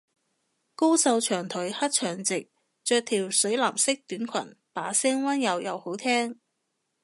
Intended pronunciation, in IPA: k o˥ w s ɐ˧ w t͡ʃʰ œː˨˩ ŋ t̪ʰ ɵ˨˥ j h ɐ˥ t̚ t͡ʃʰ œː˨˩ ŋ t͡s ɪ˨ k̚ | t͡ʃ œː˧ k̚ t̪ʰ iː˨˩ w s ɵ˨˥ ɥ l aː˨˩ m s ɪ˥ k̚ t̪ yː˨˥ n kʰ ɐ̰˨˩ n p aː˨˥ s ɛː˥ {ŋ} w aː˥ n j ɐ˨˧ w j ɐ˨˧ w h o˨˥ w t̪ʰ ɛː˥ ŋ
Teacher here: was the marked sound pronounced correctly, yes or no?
yes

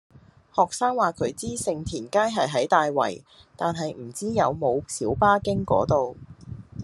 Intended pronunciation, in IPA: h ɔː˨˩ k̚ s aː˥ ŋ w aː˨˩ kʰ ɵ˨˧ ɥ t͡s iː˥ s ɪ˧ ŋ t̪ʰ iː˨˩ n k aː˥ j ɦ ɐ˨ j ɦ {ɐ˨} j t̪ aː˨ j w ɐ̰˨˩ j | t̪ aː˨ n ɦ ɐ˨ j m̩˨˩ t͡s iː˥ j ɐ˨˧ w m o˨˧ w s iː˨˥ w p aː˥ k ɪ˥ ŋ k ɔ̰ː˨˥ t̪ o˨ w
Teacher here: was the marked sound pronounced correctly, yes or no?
no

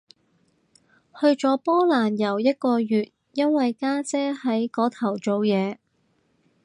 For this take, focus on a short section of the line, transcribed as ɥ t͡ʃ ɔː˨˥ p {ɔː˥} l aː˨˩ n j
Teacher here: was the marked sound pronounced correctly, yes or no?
yes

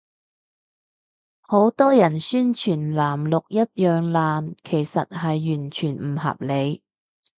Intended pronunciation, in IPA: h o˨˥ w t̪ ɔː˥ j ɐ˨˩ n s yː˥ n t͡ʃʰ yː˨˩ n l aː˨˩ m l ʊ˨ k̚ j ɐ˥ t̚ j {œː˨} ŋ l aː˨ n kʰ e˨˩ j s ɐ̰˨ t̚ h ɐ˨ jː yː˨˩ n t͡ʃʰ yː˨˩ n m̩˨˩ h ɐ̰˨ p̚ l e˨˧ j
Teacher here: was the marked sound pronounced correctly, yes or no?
yes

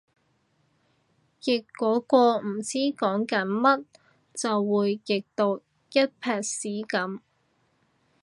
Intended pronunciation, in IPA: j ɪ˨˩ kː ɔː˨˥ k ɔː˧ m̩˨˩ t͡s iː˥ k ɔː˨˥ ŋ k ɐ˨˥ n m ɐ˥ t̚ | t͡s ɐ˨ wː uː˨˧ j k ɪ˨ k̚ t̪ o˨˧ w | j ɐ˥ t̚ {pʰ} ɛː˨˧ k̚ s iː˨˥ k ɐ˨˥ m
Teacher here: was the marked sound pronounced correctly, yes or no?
yes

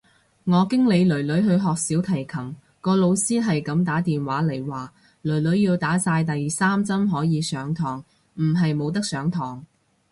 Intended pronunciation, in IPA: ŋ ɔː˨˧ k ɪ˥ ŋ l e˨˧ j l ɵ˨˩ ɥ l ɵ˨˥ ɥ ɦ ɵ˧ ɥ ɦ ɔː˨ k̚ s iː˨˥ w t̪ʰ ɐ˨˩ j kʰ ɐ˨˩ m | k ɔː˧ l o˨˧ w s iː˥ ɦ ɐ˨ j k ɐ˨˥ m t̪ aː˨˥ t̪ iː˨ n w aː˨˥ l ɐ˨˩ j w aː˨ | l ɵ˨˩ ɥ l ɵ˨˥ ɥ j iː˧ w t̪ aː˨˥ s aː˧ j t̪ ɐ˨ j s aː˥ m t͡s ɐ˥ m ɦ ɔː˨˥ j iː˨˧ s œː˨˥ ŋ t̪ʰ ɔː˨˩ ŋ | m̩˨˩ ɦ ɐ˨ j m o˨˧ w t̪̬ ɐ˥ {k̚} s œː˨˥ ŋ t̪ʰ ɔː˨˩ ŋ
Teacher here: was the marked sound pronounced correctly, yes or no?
yes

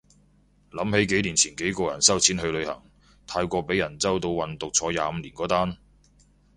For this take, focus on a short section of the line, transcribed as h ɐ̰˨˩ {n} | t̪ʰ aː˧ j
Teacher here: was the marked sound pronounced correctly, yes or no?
no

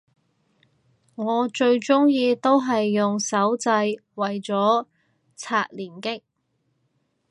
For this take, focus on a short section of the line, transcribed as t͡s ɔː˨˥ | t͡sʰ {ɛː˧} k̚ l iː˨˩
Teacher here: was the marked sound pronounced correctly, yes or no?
no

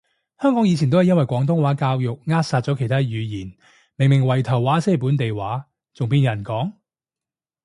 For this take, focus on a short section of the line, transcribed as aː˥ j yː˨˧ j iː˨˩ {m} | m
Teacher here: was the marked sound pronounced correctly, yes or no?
no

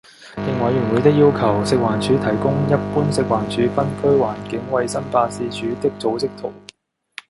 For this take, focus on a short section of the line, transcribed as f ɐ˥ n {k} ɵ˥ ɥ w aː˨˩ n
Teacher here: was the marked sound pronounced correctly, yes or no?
no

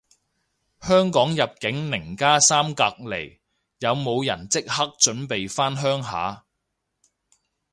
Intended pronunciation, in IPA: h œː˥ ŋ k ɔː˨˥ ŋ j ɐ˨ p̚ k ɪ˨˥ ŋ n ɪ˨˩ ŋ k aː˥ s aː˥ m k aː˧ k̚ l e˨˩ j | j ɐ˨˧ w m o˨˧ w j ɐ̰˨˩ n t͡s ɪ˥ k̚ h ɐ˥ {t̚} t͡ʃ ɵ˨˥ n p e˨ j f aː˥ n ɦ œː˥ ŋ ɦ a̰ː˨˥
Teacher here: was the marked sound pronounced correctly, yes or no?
no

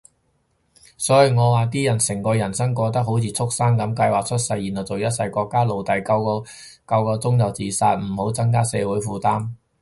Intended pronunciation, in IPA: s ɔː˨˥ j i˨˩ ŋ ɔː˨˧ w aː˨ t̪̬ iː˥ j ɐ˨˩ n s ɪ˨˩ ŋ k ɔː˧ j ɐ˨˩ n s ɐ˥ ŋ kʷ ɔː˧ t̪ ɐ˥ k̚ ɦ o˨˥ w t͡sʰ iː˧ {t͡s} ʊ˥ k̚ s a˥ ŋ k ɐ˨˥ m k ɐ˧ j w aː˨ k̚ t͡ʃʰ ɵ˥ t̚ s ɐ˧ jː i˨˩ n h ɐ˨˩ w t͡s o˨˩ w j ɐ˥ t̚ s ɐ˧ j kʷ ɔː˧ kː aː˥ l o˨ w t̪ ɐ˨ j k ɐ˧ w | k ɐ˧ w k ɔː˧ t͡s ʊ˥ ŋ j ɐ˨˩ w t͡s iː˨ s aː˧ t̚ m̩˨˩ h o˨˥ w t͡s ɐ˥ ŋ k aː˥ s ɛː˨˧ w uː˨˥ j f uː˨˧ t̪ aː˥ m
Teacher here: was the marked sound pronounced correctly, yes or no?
no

